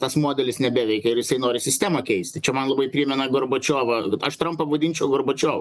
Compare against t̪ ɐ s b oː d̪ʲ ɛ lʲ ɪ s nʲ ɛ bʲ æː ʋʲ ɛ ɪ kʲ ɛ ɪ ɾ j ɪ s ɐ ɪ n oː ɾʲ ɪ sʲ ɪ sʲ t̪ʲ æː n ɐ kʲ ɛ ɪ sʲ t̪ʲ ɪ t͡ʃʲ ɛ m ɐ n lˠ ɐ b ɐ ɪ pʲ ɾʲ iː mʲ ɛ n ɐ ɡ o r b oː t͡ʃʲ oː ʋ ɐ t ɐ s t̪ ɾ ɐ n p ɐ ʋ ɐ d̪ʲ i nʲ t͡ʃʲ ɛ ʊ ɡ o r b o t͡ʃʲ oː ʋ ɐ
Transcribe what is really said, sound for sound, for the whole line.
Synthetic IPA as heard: t̪ ɐ s m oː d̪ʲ ɛ lʲ ɪ s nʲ ɛ bʲ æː ʋʲ ɛ ɪ kʲ ɛ ɪ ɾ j ɪ s ɐ ɪ n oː ɾʲ ɪ sʲ ɪ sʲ t̪ʲ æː m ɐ kʲ ɛ ɪ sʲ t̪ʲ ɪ t͡ʃʲ ɛ m ɐ n lˠ ɐ b ɐ ɪ pʲ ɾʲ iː mʲ ɛ n ɐ ɡ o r b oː t͡ʃʲ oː ʋ ɐ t ɐ ʃ t̪ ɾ ɐ m p ɐ ʋ ɐ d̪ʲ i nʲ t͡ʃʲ ɛ ʊ ɡ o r b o t͡ʃʲ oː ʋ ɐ